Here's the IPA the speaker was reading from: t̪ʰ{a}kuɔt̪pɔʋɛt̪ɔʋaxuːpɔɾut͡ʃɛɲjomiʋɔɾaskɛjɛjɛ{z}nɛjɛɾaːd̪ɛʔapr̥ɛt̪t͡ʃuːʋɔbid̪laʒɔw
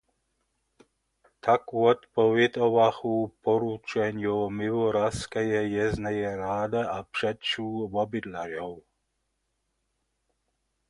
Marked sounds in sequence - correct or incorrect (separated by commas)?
correct, correct